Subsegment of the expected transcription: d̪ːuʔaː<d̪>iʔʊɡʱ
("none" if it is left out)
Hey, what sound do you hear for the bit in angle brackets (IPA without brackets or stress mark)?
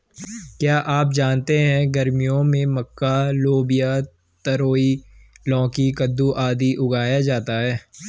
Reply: d̪